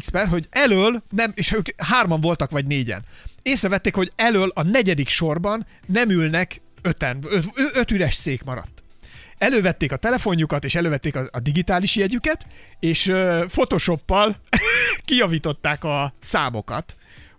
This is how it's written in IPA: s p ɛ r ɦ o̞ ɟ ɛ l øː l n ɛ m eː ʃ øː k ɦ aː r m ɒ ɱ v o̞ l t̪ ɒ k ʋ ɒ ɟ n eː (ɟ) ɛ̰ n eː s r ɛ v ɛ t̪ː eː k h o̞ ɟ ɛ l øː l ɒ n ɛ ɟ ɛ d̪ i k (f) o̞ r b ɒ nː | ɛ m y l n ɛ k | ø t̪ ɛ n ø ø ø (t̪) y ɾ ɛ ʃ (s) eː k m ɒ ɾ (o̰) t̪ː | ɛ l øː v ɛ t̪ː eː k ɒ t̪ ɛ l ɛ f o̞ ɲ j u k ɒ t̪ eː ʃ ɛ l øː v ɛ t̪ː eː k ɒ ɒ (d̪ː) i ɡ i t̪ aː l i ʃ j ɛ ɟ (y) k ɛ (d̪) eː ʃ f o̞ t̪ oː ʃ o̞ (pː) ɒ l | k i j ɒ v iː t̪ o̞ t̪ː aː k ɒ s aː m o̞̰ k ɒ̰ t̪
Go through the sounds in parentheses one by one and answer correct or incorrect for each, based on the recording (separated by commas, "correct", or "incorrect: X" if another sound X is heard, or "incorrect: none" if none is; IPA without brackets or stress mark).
correct, incorrect: ʃ, correct, correct, incorrect: ɒ̰, incorrect: d̪, correct, incorrect: t̪, correct